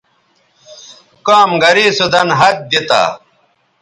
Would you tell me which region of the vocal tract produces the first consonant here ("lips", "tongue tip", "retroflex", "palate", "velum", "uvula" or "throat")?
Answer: velum